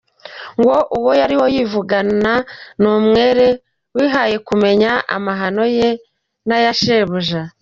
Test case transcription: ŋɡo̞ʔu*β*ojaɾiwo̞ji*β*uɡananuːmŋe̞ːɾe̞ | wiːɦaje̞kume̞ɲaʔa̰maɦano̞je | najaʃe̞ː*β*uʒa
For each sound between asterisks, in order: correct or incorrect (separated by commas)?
incorrect, incorrect, correct